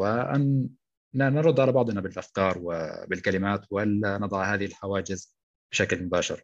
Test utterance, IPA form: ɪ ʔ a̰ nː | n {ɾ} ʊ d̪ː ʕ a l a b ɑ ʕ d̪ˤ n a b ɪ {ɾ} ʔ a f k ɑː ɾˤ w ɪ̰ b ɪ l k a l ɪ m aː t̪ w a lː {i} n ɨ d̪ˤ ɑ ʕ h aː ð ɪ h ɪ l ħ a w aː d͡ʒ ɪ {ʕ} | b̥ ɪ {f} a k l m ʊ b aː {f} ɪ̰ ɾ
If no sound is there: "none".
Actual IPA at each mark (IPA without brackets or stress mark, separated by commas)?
ɾ, l, a, z, ʃ, ʃ